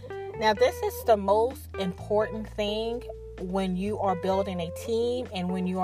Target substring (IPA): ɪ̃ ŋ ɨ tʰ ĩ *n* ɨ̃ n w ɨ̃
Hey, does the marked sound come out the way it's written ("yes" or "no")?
no